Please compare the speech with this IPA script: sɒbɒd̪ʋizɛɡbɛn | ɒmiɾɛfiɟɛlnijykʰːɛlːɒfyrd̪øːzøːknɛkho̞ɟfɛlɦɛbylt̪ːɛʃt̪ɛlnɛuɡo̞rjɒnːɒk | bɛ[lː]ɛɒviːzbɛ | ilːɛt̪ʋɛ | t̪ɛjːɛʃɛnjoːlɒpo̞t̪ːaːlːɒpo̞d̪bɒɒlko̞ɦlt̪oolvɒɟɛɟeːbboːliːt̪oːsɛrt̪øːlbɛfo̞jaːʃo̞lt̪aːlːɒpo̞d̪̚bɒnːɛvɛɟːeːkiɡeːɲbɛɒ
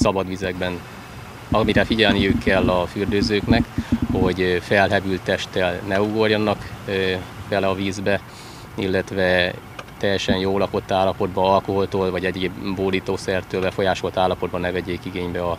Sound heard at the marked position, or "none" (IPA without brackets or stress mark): l